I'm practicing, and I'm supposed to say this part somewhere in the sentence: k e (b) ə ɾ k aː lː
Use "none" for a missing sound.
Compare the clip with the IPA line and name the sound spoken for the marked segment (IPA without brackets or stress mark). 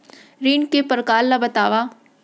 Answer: p